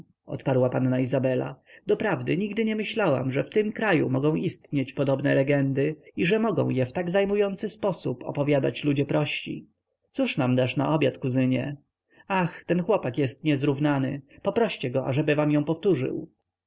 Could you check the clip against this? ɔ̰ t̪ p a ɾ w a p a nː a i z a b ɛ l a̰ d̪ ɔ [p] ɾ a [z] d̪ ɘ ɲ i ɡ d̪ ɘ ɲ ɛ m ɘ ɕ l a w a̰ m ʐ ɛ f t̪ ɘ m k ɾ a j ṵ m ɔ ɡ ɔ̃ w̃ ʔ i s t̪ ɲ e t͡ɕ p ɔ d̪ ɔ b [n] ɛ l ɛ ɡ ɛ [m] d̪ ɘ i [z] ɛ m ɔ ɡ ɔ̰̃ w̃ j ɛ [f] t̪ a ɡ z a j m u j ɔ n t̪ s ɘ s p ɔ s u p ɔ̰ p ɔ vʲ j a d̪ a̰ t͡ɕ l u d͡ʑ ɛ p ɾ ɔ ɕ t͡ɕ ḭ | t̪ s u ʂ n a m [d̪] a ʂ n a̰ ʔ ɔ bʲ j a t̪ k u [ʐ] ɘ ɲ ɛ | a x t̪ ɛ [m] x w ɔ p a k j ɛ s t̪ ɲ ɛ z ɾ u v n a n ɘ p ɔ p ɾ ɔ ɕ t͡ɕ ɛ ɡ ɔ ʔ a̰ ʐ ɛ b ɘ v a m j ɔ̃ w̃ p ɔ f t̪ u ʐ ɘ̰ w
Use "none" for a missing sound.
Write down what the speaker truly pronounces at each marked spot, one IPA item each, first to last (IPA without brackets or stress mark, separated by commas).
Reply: p, v, n, n, ʐ, f, d̪, z, n